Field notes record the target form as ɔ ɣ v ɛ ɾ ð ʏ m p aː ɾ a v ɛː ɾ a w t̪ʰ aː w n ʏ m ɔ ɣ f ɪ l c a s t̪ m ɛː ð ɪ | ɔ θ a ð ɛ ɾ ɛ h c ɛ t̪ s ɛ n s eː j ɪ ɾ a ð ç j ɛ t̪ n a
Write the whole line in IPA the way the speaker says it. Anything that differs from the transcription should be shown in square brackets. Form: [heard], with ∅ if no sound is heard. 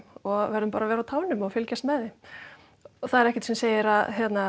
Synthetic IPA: ɔ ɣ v ɛ ɾ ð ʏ m p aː ɾ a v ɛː ɾ a w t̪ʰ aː w n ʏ m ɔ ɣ f ɪ l c a s t̪ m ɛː ð ɪ | ɔ θ a ð ɛ ɾ ɛ h c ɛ t̪ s ɛ [m] s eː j ɪ ɾ a ð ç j ɛ t̪ n a